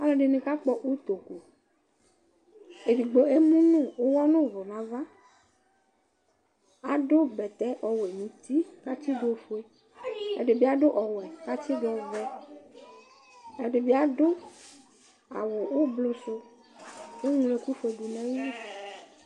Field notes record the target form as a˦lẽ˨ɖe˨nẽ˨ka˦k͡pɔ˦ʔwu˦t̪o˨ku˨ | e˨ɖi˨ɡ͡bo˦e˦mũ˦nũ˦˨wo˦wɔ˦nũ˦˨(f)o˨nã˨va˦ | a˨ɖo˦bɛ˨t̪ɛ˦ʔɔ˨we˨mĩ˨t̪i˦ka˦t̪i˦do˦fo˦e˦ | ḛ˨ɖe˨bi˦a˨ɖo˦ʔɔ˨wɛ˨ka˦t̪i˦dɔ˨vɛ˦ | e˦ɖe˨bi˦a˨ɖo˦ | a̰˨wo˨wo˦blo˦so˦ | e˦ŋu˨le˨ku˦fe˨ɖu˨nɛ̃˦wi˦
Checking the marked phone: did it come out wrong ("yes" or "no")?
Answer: yes